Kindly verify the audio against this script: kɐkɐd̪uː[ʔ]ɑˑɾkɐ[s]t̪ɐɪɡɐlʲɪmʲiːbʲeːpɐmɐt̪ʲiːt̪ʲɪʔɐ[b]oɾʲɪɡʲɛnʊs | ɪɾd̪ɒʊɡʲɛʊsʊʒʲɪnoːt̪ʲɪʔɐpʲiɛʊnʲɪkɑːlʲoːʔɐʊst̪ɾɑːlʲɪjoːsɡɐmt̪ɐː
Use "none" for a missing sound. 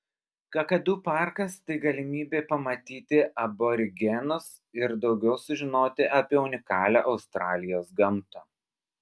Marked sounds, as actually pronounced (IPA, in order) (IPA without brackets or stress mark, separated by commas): p, s, b